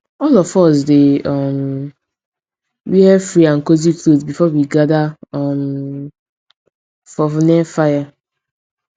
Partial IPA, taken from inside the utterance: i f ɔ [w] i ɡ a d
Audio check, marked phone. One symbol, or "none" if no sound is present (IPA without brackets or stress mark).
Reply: w